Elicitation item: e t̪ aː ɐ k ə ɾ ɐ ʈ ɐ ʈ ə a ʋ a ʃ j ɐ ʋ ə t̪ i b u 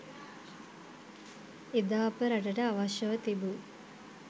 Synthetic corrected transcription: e d̪ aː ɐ p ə ɾ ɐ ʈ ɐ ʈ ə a ʋ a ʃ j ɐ ʋ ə t̪ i b u